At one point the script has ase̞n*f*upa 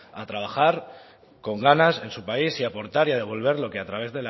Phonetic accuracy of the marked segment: incorrect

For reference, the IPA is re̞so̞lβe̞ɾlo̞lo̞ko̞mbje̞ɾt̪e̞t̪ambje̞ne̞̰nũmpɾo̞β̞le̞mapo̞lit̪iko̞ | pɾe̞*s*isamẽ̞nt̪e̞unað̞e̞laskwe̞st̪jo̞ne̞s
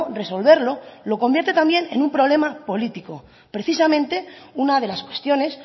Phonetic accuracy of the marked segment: incorrect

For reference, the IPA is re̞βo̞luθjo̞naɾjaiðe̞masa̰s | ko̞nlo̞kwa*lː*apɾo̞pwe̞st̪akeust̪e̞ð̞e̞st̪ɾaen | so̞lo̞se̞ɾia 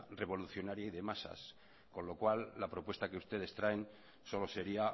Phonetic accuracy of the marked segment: correct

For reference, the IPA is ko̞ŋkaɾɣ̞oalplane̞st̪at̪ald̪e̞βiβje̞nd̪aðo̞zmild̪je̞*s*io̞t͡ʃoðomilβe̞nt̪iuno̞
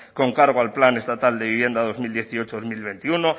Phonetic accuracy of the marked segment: incorrect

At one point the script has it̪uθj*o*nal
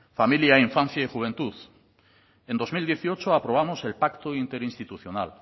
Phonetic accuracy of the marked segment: correct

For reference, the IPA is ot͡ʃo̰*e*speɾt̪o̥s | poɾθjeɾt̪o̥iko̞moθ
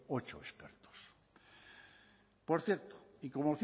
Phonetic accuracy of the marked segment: correct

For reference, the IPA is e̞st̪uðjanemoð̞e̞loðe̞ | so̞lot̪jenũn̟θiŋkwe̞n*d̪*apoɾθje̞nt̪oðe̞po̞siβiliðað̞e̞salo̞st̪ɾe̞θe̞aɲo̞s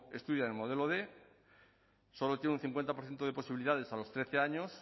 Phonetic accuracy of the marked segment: incorrect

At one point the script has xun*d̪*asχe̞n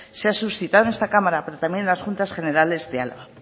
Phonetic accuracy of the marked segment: incorrect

